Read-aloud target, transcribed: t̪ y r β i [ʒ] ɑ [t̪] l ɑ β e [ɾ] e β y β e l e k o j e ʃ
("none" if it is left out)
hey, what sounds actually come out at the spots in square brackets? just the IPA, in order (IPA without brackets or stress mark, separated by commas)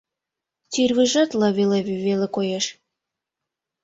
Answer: ʒ, t̪, l